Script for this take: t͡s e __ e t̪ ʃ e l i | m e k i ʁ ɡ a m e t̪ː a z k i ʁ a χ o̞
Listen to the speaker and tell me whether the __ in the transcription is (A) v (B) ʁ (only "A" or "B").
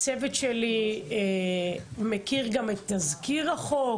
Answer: A